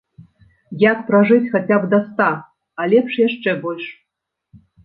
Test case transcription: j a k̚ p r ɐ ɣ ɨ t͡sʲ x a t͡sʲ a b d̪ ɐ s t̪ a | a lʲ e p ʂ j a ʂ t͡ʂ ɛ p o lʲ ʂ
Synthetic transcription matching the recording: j a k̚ p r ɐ ʐ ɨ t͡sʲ x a t͡sʲ a b d̪ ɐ s t̪ a | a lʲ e p ʂ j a ʂ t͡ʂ ɛ b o lʲ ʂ